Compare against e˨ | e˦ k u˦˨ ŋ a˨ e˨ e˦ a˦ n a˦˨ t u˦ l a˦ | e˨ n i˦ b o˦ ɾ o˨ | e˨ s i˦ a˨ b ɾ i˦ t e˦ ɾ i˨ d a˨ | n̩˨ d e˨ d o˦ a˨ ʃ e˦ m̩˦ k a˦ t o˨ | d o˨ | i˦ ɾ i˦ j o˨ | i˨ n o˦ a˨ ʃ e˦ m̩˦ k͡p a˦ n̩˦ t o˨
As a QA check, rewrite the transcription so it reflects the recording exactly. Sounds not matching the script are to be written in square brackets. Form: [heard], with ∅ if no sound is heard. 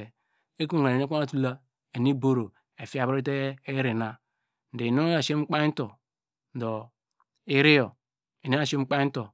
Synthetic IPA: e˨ | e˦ k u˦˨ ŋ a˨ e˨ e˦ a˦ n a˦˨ t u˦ l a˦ | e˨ n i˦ b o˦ ɾ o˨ | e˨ [f] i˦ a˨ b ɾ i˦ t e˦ ɾ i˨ [n] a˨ | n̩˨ d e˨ [n] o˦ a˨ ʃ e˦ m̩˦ [k͡p] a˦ t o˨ | d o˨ | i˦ ɾ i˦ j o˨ | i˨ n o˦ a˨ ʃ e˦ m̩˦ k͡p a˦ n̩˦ t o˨